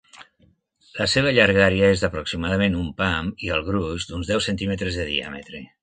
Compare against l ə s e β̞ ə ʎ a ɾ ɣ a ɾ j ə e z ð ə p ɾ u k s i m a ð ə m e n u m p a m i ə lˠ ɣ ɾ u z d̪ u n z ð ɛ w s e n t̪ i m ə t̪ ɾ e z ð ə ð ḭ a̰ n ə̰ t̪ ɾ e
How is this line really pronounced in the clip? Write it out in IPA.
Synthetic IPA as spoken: l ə s e β̞ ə ʎ a ɾ ɣ a ɾ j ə e z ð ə p ɾ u k s i m a ð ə m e n u m p a m i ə lˠ ɣ ɾ u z d̪ u n z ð ɛ w s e n t̪ i m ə t̪ ɾ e z ð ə ð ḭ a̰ m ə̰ t̪ ɾ e